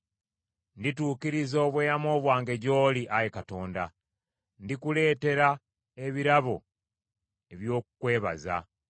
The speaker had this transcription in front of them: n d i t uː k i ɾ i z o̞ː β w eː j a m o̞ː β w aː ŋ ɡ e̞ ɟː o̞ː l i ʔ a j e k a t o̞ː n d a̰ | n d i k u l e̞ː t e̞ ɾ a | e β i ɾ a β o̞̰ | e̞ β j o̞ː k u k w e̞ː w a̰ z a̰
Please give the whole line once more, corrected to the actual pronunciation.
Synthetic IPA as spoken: n d i t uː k i ɾ i z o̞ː β w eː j a m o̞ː β w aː ŋ ɡ e̞ ɟ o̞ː l i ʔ a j e k a t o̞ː n d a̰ | n d i k u l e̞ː t e̞ ɾ a | e β i ɾ a β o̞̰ | e̞ β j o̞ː k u k w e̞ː β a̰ z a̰